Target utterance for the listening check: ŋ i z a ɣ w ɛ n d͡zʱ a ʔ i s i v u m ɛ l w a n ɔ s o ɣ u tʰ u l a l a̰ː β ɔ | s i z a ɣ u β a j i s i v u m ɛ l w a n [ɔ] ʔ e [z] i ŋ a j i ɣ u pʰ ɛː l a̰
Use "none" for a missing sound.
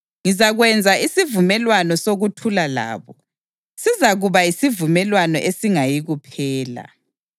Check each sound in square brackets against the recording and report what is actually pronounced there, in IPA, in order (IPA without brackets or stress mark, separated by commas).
ɔ, s